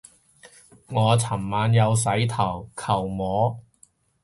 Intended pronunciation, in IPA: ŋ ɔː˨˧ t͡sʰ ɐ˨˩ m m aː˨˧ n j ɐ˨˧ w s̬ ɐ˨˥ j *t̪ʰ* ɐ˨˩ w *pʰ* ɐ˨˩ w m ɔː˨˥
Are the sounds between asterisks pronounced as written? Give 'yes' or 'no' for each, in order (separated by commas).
yes, no